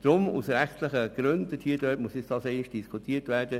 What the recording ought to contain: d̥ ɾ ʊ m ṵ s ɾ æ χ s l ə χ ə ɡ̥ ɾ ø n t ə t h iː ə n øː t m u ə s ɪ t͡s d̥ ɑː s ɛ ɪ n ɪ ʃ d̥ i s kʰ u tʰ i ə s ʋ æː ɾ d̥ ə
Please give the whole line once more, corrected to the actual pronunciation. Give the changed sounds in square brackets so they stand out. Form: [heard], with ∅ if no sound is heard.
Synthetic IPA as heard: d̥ ɾ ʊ m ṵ s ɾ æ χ [t] l ə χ ə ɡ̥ ɾ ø n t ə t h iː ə [d] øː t m u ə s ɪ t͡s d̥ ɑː s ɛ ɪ n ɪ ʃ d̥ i s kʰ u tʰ i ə [t] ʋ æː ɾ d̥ ə